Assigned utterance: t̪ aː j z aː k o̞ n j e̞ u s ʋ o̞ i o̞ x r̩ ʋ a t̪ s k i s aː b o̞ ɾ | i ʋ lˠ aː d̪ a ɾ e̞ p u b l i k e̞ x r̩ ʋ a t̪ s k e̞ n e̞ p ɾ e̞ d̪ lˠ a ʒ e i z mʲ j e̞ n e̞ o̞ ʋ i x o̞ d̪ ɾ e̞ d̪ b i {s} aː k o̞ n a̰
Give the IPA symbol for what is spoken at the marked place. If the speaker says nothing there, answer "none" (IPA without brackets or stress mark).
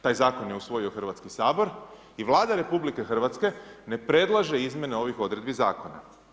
z